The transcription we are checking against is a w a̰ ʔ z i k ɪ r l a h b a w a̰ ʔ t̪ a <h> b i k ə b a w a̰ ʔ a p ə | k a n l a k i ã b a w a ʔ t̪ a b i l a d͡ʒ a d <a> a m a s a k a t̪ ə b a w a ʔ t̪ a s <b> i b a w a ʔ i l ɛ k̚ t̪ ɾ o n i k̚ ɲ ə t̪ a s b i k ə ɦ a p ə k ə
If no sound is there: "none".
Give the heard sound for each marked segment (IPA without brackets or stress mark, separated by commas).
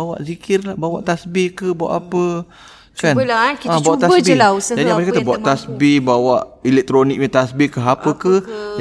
s, i, b